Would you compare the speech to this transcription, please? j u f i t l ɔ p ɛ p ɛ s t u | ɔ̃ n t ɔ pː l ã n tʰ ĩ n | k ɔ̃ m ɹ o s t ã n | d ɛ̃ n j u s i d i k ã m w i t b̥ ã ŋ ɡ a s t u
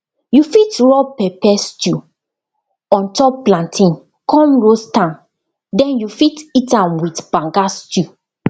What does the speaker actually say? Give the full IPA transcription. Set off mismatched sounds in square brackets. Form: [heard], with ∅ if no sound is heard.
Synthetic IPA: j u f i t [ɹ] ɔ p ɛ p ɛ s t u | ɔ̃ n t ɔ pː l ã n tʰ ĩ n | k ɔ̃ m ɹ o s t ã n | d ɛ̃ n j u [f] i [t] i [t] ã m w i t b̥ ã ŋ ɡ a s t u